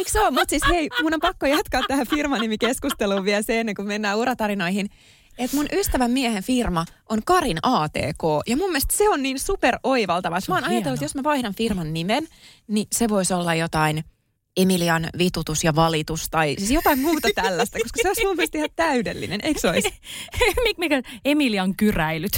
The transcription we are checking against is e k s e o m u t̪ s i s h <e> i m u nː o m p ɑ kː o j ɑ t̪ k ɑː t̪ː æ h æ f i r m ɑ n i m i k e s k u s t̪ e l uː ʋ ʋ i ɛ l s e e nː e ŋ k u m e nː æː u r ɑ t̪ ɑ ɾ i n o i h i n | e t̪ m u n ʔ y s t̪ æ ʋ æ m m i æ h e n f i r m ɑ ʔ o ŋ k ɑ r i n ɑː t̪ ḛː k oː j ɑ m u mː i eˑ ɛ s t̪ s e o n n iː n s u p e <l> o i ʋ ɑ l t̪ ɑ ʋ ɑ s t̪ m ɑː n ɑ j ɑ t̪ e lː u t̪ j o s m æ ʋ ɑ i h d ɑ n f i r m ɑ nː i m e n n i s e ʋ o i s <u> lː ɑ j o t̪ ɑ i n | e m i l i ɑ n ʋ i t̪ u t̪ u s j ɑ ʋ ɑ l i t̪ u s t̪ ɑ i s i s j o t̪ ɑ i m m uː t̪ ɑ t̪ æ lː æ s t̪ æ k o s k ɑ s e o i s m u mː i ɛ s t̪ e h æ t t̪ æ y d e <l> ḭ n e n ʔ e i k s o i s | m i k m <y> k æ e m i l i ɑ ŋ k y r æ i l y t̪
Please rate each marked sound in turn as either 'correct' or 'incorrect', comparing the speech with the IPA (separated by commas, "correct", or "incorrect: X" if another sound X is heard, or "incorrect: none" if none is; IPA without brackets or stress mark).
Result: correct, incorrect: r, incorrect: o, incorrect: lː, incorrect: i